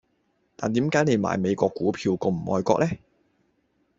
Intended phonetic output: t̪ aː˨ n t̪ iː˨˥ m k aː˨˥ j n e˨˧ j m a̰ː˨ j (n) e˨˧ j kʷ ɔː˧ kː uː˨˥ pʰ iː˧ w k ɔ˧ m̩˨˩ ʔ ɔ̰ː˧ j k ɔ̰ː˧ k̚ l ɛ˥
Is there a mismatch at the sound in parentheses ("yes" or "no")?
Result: yes